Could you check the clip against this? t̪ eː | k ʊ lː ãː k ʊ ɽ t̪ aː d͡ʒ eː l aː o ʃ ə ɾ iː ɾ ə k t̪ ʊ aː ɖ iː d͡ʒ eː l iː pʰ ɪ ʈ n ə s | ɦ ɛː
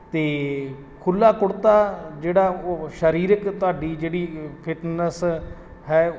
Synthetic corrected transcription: t̪ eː | kʰ ʊ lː aː k ʊ ɽ t̪ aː d͡ʒ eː ɽ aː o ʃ ə ɾ iː ɾ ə k t̪ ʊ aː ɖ iː d͡ʒ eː ɽ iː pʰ ɪ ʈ n ə s | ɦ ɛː

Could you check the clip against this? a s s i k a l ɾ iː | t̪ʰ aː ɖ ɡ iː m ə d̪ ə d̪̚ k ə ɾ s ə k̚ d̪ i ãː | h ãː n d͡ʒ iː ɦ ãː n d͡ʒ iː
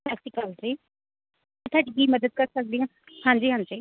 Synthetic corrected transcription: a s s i k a l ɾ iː | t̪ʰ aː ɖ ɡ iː m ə d̪ ə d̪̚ k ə ɾ s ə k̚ d̪ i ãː | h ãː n d͡ʒ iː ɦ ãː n d͡ʒ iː

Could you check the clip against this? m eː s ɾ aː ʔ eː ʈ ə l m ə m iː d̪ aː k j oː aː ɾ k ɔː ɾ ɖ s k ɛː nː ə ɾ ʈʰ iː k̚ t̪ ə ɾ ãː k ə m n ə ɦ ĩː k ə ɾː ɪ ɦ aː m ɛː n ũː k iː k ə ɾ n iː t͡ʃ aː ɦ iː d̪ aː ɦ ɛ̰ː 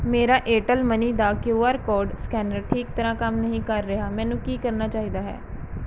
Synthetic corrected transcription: m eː ɾ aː ʔ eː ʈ ə l m ə n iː d̪ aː k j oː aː ɾ k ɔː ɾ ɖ s k ɛː n ə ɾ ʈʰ iː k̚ t̪ ə ɾ ãː k ə m n ə ɦ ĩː k ə ɾː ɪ ɦ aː m ɛː n ũː k iː k ə ɾ n aː t͡ʃ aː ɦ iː d̪ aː ɦ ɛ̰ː

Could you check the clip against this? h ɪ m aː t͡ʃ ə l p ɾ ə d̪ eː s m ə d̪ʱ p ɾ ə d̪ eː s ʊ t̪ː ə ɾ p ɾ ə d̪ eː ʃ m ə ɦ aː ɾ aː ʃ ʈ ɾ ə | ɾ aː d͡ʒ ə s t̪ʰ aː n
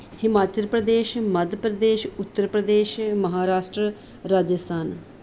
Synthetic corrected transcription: h ɪ m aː t͡ʃ ə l p ɾ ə d̪ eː ʃ m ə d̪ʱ p ɾ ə d̪ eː ʃ ʊ t̪ː ə ɾ p ɾ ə d̪ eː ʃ m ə ɦ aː ɾ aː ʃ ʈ ɾ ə | ɾ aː d͡ʒ ə s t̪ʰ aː n

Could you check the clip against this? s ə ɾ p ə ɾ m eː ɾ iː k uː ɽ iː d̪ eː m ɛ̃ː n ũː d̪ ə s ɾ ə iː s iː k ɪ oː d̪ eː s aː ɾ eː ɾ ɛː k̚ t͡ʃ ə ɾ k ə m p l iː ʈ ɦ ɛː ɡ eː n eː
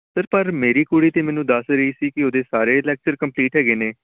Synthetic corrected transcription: s ə ɾ p ə ɾ m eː ɾ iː k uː ɽ iː t̪ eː m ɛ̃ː n ũː d̪ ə s ɾ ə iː s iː k ɪ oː d̪ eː s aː ɾ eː l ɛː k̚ t͡ʃ ə ɾ k ə m p l iː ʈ ɦ ɛː ɡ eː n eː

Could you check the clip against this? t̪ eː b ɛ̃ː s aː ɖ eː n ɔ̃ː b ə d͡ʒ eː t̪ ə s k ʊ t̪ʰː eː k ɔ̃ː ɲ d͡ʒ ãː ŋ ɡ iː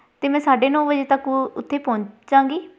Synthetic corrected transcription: t̪ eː m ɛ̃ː s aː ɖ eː n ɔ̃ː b ə d͡ʒ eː t̪ ə k ʊ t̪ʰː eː p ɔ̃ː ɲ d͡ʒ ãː ŋ ɡ iː

